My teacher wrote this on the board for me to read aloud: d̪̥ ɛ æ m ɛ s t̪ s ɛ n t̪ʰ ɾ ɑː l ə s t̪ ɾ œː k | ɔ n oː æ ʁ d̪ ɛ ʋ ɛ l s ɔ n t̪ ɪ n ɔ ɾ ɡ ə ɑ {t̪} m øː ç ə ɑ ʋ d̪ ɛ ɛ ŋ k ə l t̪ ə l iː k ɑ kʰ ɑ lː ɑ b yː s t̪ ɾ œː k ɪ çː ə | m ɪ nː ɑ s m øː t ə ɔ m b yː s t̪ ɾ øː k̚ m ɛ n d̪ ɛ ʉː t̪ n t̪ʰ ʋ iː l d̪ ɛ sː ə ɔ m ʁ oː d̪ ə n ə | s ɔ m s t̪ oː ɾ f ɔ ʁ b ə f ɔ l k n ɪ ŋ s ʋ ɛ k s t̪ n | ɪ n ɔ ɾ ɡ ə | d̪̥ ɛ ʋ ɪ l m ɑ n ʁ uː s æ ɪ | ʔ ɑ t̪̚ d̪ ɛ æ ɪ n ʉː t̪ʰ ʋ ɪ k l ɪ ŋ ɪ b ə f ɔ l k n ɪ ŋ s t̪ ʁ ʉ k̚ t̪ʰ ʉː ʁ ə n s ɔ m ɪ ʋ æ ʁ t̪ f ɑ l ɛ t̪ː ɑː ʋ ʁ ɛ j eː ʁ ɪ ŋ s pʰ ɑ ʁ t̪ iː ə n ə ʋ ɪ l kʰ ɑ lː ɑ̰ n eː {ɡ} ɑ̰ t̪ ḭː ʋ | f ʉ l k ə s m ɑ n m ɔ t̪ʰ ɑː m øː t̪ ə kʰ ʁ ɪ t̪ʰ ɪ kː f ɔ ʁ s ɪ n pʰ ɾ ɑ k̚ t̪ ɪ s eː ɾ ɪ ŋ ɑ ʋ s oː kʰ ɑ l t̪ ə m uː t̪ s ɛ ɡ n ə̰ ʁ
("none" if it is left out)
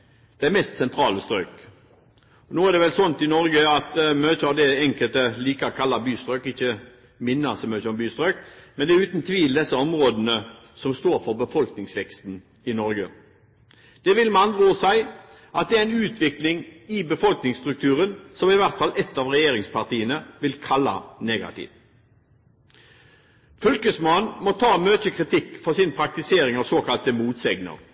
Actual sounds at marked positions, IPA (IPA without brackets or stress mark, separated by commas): t̪, ɡ